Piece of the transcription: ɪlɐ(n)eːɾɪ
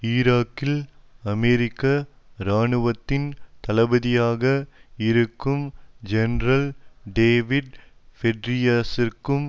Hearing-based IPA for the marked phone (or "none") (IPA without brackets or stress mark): m